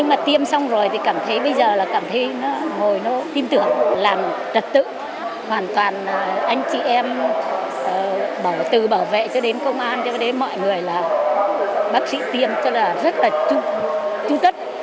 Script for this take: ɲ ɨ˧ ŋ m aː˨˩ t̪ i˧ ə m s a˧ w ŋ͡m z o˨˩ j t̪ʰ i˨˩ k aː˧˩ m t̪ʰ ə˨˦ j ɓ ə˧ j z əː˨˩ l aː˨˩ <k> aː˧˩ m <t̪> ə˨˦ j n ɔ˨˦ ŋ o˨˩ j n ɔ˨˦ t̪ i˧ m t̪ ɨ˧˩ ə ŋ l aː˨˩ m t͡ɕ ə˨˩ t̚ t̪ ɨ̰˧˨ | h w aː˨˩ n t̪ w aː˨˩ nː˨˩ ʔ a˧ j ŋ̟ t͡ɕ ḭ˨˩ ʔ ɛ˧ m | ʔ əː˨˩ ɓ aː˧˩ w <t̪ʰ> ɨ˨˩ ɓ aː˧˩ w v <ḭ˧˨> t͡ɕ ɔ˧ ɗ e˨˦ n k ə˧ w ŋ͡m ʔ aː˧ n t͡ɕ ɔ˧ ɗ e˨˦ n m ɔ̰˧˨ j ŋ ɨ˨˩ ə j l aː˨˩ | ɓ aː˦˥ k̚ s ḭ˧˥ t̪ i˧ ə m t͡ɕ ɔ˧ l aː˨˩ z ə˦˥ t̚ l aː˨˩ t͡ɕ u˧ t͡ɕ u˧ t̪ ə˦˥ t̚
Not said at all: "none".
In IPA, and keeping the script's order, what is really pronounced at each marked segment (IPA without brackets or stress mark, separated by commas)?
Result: k, t̪ʰ, t̪, ḛ˧˨